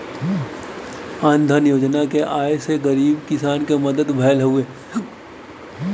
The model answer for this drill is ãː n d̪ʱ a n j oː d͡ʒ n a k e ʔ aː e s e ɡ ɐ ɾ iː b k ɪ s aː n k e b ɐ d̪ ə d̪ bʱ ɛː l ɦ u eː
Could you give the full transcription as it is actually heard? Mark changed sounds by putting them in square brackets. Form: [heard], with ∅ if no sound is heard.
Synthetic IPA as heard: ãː n d̪ʱ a n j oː d͡ʒ n a k e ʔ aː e s e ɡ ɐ ɾ iː b k ɪ s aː n k e [m] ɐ d̪ ə d̪ bʱ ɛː l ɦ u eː